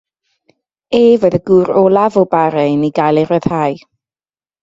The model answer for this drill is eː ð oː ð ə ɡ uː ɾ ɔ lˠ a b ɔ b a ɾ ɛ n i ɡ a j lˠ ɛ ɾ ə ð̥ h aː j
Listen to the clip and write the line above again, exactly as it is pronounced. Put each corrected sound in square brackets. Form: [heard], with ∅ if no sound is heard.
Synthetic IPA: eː [v] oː ð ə ɡ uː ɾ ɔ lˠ a [v] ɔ b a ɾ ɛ n i ɡ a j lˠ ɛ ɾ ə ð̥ h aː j